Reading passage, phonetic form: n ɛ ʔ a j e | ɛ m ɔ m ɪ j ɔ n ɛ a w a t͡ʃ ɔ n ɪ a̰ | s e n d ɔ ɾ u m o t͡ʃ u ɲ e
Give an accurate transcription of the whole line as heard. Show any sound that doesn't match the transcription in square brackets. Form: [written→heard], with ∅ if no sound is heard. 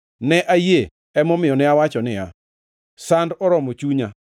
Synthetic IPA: n ɛ ʔ a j e | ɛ m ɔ m ɪ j ɔ n ɛ a w a t͡ʃ ɔ n ɪ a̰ | s [e→a] n d ɔ ɾ [u→ɔ] m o t͡ʃ u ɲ [e→a]